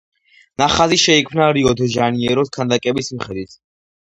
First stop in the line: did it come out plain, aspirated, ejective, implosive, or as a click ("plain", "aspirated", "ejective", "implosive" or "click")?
aspirated